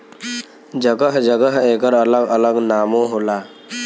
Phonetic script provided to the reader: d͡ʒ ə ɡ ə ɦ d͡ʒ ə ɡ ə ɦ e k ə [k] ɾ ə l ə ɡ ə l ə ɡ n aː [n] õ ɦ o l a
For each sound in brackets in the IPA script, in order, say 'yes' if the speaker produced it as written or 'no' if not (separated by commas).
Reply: no, no